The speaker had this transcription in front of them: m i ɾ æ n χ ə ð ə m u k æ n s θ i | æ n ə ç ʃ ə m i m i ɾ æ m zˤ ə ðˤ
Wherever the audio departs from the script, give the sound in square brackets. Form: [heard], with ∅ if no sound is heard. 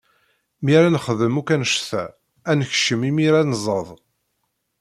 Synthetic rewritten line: m i ɾ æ n χ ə ð ə m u k æ n [ʃ] θ [æ] | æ n ə ç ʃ ə m i m i ɾ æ [n] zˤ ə ðˤ